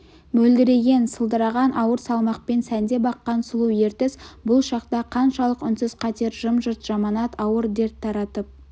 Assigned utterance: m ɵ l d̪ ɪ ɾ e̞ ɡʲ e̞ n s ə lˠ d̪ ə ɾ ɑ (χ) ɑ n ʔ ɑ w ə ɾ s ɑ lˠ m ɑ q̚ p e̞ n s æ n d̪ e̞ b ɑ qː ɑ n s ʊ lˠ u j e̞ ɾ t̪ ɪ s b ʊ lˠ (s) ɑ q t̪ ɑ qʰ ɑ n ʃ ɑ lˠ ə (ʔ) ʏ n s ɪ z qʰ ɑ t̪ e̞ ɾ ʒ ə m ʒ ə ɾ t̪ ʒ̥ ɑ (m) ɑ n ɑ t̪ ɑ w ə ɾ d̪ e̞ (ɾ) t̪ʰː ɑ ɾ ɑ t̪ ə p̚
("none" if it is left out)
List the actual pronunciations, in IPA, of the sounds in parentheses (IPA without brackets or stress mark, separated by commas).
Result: ʁ, ʃ, q, m, ɾ